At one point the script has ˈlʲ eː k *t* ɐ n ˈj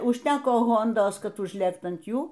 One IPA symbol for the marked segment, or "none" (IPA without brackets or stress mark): t